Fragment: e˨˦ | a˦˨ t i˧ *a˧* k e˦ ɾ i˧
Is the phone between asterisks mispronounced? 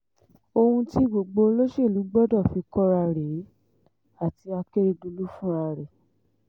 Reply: no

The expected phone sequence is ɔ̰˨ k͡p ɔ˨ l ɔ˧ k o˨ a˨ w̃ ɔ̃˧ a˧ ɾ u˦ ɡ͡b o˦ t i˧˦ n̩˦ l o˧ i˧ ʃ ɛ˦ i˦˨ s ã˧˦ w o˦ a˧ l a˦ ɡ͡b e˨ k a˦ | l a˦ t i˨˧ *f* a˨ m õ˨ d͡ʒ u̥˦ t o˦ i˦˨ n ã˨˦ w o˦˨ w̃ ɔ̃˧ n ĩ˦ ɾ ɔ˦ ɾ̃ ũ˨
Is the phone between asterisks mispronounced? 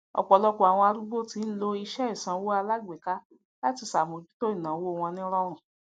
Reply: yes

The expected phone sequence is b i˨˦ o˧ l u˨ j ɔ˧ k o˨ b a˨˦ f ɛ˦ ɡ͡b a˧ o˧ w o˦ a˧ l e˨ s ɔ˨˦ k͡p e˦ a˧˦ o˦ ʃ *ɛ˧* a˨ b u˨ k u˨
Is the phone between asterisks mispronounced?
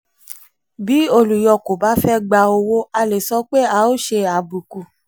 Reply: yes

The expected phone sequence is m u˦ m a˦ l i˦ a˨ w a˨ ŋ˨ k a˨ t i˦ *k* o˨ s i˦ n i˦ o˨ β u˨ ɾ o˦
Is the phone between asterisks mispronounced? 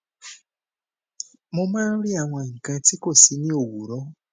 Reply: no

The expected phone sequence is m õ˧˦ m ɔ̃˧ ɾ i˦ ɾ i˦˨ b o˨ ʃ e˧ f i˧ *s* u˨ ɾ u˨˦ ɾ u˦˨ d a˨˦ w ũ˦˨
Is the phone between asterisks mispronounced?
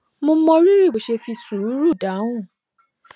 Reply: no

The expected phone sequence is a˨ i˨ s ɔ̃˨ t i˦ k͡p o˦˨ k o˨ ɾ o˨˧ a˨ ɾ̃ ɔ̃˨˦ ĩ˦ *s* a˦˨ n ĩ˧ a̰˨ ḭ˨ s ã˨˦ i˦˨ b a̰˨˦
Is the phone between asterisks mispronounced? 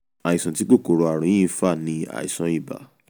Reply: yes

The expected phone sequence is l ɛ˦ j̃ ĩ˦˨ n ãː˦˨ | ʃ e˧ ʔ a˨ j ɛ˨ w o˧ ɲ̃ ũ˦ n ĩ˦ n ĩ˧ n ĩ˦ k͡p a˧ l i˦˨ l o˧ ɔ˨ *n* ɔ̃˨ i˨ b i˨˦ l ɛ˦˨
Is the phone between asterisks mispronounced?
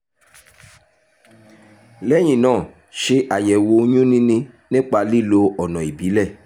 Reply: no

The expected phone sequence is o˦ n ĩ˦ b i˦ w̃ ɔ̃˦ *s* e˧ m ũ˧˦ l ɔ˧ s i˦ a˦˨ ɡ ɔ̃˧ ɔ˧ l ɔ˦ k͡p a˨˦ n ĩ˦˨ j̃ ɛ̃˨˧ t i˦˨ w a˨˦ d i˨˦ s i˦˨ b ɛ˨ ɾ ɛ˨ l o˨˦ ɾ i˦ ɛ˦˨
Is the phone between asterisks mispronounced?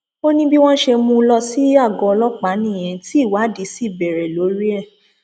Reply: yes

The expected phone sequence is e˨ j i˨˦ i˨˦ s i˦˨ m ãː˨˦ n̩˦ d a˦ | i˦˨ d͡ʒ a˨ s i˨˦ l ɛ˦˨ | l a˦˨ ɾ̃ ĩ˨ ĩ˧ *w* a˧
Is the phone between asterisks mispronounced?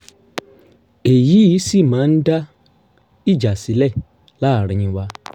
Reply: no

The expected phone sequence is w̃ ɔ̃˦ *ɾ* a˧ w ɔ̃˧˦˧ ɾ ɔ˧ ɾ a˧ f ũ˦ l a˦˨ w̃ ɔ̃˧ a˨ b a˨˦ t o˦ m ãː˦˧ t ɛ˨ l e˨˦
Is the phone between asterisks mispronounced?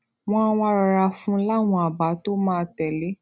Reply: yes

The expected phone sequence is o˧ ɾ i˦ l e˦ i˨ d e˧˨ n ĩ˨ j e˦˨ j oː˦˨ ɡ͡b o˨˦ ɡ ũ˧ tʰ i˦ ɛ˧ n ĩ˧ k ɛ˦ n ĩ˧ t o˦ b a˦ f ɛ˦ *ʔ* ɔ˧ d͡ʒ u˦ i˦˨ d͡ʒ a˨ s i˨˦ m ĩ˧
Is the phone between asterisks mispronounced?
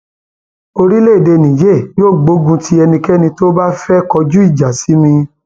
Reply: yes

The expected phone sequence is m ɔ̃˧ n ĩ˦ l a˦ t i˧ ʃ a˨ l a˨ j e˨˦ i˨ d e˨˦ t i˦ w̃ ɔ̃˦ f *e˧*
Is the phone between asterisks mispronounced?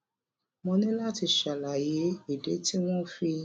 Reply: yes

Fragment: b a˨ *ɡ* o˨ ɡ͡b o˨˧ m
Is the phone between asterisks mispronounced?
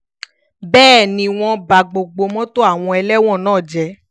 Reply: yes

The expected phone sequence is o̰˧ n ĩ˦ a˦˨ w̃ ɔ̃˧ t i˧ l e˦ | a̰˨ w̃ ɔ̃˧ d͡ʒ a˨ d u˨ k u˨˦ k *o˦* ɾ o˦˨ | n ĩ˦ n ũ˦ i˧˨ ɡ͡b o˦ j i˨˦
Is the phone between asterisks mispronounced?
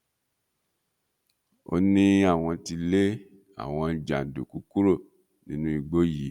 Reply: yes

